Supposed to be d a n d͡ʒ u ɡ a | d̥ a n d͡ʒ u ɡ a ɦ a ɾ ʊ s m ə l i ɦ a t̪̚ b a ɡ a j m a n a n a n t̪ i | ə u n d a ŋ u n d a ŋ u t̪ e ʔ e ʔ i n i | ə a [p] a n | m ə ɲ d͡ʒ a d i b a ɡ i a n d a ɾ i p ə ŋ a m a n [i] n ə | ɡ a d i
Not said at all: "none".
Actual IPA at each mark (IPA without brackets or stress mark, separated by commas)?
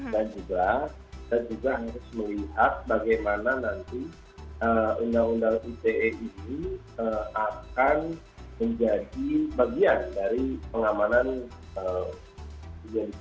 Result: k, a